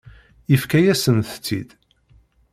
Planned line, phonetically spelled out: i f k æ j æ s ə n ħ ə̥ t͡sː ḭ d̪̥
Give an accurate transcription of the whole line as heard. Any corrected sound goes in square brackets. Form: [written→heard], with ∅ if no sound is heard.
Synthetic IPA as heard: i f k æ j æ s ə n [ħ→θ] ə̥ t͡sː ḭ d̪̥